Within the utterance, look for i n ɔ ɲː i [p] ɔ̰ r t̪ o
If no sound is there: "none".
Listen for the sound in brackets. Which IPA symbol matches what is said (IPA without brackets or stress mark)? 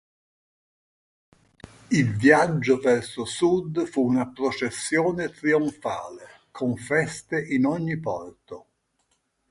p